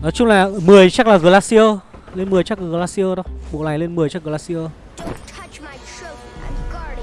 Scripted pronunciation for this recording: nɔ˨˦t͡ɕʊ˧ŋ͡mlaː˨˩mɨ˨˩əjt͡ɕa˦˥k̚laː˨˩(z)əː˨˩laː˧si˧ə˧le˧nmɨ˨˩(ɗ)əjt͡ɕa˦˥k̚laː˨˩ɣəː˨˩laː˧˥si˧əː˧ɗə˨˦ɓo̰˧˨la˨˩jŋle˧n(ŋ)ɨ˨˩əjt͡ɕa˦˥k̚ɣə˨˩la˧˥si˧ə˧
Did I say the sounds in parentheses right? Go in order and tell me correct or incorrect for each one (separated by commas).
incorrect, incorrect, incorrect